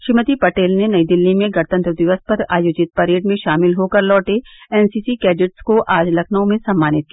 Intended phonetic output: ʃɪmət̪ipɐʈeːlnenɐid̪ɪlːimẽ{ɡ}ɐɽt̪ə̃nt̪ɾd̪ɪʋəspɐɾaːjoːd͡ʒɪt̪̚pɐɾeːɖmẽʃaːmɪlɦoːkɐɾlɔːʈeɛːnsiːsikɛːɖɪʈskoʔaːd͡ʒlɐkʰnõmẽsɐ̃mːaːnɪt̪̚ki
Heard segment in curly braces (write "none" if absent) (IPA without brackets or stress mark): ɡ